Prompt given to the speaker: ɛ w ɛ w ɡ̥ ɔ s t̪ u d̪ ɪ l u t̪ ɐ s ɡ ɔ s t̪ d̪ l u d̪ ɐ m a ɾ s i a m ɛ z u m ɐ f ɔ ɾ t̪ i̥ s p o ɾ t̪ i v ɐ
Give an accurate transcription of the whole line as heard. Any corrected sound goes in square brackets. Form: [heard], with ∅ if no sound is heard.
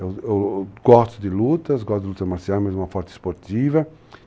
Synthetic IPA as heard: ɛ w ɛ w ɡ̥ ɔ s t̪ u d̪ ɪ l u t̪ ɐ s ɡ ɔ s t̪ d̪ l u [t̪] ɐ m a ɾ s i a m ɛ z u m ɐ f ɔ ɾ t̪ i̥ s p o ɾ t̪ i v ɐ